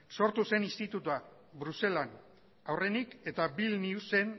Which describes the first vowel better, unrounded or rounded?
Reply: rounded